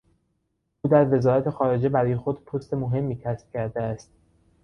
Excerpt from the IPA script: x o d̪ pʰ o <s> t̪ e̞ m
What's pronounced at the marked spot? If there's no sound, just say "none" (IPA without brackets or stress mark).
s